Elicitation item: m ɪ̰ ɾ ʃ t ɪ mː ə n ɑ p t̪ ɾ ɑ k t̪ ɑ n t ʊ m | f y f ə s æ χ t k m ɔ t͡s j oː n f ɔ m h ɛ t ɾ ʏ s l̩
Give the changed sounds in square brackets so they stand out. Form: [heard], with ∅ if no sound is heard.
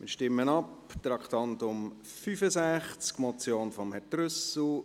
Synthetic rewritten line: m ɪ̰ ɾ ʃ t ɪ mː ə n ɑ p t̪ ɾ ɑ k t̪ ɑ n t ʊ m | f y f ə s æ χ [t͡s] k m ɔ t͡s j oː n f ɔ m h ɛ t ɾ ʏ s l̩